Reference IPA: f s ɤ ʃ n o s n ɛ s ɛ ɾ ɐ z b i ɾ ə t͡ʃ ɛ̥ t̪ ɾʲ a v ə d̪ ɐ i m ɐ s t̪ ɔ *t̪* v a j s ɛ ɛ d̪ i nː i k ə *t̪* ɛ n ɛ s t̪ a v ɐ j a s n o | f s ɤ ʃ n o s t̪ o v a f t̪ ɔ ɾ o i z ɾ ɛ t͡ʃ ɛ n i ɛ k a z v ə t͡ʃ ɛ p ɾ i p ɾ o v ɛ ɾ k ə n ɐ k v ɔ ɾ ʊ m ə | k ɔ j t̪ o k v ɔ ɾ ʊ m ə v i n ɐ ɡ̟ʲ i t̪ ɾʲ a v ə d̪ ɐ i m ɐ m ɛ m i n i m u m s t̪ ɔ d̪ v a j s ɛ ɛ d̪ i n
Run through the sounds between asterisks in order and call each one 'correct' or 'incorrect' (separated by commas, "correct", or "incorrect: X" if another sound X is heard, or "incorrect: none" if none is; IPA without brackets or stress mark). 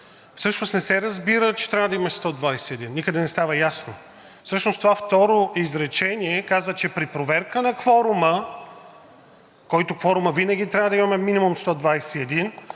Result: incorrect: d̪, incorrect: d̪